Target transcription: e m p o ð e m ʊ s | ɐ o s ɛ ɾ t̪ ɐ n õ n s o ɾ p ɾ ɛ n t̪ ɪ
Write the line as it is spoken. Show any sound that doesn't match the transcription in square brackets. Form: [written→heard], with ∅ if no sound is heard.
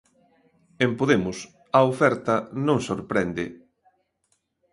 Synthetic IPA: e m p o ð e m ʊ s | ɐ o [s→f] ɛ ɾ t̪ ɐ n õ [n→ŋ] s o ɾ p ɾ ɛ n [t̪→d̪] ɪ

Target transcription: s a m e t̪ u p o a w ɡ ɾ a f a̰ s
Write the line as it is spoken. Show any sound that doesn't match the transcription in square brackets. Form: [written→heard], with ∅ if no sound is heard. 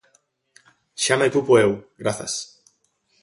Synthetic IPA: [s→ʃ] a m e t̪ u p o [a→e] w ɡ ɾ a [f→θ] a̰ s

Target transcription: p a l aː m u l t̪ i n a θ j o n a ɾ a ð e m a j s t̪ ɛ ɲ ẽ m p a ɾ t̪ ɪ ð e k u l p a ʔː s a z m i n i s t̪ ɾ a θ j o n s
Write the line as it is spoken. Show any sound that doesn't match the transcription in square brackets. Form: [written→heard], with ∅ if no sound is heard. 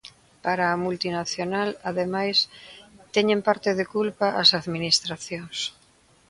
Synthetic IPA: p a [l→ɾ] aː m u l t̪ i n a θ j o n a [ɾ→l] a ð e m a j s t̪ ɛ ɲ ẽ m p a ɾ t̪ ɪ ð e k u l p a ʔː s a [z→ð] m i n i s t̪ ɾ a θ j o [n→ŋ] s

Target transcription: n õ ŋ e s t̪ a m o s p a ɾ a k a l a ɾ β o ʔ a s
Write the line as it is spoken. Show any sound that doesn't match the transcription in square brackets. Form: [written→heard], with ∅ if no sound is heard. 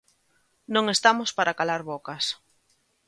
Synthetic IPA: n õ ŋ e s t̪ a m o s p a ɾ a k a l a ɾ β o [ʔ→k] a s

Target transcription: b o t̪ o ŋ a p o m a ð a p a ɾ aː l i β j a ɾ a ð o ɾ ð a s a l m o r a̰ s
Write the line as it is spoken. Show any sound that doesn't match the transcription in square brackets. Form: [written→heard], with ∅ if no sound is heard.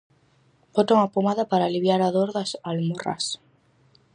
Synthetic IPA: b o t̪ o ŋ a p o m a ð a p a ɾ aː l i β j a ɾ a ð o ɾ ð a s a l m o r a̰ s

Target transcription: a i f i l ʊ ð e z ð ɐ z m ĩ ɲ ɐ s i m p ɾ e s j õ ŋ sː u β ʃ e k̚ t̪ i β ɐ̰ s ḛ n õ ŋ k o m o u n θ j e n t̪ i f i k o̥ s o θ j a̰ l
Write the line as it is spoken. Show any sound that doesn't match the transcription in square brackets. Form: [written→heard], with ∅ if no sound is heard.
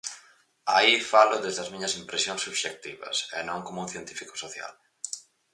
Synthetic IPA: a i f [i→a] l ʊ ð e z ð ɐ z m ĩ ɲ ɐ s i m p ɾ e s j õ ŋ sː u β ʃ e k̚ t̪ i β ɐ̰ s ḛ n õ ŋ k o m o u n θ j e n t̪ i f i k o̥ s o θ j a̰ l

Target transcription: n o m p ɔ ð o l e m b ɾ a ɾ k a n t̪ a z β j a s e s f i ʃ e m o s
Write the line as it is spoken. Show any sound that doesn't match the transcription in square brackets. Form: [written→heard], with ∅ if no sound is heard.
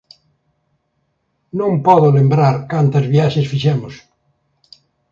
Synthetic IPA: n [o→õ] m p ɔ ð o l e m b ɾ a ɾ k a n t̪ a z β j a [s→ʃ] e s f i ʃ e m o s

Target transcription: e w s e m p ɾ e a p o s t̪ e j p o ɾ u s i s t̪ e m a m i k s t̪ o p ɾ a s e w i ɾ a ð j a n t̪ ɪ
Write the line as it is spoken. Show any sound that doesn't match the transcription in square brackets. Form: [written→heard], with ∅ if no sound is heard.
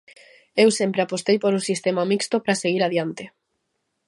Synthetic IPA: e w s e m p ɾ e a p o s t̪ e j p o ɾ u s i s t̪ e m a m i k s t̪ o p ɾ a s e [w→ɣ] i ɾ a ð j a n t̪ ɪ

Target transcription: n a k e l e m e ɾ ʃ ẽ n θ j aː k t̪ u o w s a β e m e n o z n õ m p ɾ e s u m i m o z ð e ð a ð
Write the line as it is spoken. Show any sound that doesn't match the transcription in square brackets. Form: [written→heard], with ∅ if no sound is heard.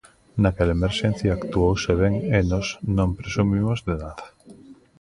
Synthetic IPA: n a k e l e m e ɾ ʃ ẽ n θ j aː k t̪ u o w s [a→e] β e [m→ŋ] e n o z n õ m p ɾ e s u m i m o z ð e ð a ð

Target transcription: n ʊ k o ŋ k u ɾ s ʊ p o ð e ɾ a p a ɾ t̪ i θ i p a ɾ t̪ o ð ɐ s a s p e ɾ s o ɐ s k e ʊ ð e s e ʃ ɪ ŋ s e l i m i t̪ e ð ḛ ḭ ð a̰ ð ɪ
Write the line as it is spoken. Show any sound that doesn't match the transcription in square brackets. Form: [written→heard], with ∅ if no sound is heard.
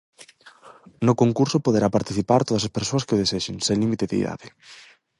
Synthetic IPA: n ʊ k o ŋ k u ɾ s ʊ p o ð e ɾ a p a ɾ t̪ i θ i p a ɾ t̪ o ð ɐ s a s p e ɾ s o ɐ s k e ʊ ð e s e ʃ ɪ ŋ s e l i m i t̪ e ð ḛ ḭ ð a̰ ð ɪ

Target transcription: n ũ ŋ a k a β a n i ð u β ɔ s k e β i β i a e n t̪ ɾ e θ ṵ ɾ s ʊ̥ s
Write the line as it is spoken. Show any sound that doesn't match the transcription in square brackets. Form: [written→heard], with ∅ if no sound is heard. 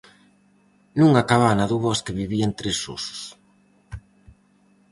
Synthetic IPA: n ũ ŋ a k a β a n [i→a] ð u β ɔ s k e β i β i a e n t̪ ɾ e [θ→s] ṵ [ɾ→∅] s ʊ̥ s

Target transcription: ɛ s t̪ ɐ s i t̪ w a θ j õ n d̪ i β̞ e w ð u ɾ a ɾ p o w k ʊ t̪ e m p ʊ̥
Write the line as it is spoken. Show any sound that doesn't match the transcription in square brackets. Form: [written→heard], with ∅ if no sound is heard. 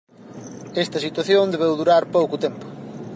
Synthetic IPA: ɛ s t̪ ɐ s i t̪ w a θ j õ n d̪ [i→e] β̞ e w ð u ɾ a ɾ p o w k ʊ t̪ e m p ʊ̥

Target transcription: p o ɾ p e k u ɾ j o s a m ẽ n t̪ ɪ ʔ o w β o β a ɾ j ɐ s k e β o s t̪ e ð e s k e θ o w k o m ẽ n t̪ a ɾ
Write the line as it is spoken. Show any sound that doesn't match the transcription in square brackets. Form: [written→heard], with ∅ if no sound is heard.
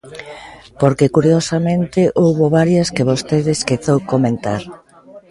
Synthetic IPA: p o ɾ [p→k] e k u ɾ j o s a m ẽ n t̪ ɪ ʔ o w β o β a ɾ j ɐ s k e β o s t̪ e ð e s k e θ o w k o m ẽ n t̪ a ɾ

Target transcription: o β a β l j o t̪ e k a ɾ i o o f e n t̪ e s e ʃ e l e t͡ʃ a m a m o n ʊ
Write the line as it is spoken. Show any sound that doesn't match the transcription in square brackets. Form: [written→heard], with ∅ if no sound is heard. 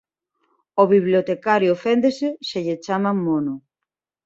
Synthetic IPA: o β [a→i] β l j o t̪ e k a ɾ [i→j] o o f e n [t̪→d̪] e s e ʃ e [l→ʎ] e t͡ʃ a m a m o n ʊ

